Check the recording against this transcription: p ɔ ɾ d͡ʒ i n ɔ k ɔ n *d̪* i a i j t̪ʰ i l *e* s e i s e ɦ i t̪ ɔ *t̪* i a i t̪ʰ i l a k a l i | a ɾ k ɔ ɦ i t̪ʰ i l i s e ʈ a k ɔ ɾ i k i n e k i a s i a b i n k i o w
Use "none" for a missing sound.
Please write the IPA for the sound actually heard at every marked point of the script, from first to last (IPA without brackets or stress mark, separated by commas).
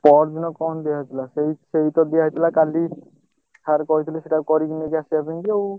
d̪, a, d̪